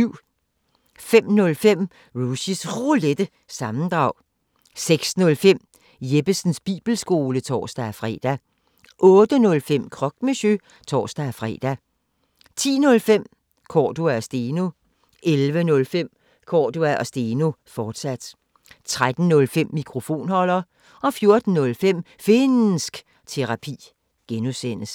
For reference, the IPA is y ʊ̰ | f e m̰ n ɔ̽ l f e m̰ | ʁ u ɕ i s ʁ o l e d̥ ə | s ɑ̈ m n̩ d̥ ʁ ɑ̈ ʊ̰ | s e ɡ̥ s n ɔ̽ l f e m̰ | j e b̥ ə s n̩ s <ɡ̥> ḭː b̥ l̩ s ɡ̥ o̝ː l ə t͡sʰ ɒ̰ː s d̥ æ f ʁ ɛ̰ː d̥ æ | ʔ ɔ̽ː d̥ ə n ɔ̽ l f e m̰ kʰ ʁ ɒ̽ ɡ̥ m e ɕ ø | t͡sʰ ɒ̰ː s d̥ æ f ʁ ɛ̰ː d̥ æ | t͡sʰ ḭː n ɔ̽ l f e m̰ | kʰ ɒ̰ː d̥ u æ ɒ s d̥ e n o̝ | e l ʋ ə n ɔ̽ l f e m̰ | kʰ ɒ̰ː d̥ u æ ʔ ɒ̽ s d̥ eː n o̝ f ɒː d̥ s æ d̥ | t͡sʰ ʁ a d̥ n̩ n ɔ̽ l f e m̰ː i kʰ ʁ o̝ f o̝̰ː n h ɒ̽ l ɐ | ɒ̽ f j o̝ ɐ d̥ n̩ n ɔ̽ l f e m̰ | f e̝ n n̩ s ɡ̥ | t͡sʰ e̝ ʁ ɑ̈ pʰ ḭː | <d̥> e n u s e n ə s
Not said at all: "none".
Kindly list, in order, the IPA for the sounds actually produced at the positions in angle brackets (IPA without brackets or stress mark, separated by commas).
b̥, ɡ̥